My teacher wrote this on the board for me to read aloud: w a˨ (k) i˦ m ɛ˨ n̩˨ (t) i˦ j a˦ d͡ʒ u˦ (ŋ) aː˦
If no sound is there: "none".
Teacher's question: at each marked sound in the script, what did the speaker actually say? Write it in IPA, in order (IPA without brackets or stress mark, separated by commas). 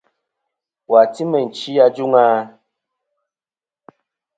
t, t͡ʃ, ŋ